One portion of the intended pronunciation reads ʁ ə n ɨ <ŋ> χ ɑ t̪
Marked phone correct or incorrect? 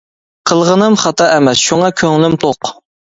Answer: incorrect